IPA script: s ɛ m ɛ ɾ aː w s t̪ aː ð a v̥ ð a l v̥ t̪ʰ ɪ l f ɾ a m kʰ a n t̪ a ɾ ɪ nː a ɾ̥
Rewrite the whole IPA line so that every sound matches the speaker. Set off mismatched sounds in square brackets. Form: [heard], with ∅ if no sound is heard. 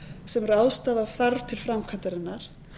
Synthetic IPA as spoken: s ɛ m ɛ ɾ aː w s t̪ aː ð a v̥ [θ] a [ɾ] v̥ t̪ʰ ɪ l f ɾ a m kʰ a n t̪ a ɾ ɪ nː a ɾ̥